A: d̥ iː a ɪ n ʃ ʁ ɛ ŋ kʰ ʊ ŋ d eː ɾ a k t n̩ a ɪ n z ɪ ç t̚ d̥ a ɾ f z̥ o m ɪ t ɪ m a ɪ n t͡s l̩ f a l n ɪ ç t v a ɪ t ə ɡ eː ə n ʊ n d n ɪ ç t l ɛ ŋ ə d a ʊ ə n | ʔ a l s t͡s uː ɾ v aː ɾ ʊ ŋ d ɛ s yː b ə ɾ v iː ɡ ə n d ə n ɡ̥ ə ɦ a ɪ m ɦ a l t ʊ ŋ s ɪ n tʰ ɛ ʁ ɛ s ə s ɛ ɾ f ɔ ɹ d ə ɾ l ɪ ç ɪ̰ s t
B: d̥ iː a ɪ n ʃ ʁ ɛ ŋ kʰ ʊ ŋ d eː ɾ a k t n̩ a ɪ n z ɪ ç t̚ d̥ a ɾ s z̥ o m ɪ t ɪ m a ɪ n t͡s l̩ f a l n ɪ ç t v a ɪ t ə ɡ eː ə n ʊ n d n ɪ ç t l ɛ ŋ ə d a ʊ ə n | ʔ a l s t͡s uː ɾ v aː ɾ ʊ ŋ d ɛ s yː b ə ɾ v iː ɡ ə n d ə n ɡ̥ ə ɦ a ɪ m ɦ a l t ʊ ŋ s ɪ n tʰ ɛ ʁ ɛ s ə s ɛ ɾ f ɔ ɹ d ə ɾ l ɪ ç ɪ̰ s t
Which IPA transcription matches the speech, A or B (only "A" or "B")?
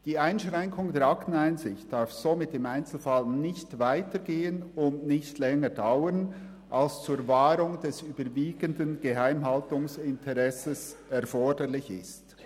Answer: A